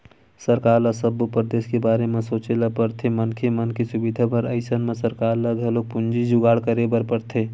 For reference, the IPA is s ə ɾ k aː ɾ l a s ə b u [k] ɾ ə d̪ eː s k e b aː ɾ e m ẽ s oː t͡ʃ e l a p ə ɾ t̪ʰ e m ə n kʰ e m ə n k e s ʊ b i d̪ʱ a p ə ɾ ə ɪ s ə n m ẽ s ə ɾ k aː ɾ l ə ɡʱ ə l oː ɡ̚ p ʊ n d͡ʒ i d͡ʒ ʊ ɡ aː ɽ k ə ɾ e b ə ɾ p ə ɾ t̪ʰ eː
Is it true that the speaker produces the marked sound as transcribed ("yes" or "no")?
no